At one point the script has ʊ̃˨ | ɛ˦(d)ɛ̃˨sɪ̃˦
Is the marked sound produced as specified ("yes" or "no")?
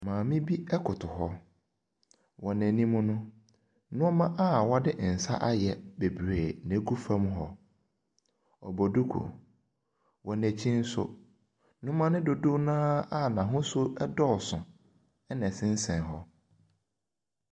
no